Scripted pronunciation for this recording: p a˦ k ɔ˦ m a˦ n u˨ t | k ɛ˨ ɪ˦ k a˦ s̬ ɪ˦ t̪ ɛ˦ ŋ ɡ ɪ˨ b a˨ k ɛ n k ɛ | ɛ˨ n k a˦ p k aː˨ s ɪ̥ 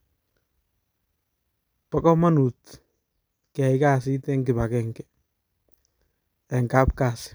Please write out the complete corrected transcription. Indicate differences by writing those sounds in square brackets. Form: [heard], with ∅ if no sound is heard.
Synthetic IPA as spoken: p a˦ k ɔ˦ m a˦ n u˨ t | k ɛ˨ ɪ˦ k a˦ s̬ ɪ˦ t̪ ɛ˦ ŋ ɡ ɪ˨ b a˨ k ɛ [ŋ] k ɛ | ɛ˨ [ŋ] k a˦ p k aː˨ s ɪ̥